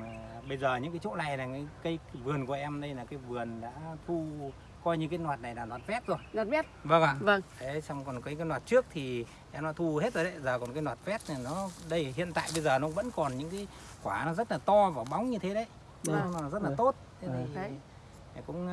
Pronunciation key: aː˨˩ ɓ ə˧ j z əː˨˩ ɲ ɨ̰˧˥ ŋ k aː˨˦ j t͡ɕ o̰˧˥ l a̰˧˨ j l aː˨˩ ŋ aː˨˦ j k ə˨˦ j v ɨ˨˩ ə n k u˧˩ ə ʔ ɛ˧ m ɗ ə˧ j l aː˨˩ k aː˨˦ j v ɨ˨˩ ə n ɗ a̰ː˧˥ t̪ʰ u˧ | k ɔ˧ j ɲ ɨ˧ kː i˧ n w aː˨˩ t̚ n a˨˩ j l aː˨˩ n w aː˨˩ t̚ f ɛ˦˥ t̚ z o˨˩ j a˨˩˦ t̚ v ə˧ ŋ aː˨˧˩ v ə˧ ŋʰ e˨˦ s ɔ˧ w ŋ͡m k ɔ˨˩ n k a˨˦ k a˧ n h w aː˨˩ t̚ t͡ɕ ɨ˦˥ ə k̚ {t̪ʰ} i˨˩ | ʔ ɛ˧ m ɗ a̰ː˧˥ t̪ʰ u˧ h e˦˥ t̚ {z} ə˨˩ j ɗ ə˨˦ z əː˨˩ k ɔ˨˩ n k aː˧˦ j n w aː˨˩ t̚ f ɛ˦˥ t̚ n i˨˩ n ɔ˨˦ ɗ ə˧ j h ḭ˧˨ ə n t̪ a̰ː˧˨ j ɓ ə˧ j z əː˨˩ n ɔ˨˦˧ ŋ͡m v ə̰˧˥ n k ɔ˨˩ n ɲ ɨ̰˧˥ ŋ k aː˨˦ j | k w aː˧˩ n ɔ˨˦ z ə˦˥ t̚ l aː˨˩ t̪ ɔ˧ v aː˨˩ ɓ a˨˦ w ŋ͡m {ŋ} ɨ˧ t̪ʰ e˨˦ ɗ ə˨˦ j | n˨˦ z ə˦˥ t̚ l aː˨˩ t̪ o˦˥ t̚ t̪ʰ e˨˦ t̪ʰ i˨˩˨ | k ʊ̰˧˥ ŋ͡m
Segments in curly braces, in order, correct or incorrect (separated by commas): correct, correct, incorrect